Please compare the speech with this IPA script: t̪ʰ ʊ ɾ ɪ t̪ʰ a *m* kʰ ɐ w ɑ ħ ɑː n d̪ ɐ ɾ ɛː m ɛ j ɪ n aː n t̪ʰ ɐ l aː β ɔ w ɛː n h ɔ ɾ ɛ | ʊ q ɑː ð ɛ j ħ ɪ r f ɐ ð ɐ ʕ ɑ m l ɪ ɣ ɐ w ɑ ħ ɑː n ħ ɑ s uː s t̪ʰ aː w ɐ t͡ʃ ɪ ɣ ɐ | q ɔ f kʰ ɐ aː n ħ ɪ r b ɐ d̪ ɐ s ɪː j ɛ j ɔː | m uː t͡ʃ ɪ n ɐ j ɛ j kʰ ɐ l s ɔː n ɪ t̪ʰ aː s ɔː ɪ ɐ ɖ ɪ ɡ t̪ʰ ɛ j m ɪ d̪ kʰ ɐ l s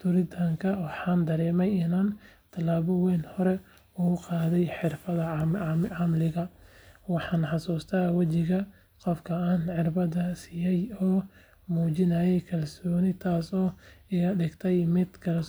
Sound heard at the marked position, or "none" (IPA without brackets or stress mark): ŋ